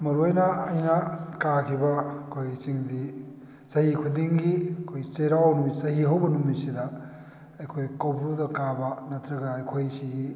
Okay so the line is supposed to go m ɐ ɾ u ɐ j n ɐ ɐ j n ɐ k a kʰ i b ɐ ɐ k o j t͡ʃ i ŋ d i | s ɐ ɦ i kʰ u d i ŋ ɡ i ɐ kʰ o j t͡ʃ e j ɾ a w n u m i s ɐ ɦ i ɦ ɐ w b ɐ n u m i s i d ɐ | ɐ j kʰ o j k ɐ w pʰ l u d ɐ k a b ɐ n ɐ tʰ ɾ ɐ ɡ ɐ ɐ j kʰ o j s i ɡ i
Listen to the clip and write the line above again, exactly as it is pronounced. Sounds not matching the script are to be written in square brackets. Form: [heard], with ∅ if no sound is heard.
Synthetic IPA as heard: m ɐ ɾ u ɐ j n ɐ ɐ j n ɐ k a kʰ i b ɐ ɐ [kʰ] o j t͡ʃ i ŋ d i | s ɐ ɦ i kʰ u d i ŋ ɡ i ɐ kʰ o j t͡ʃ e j ɾ a w n u m i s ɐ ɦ i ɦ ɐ w b ɐ n u m i s i d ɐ | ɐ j kʰ o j k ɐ w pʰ [ɾ] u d ɐ k a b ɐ n ɐ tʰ ɾ ɐ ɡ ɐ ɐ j kʰ o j s i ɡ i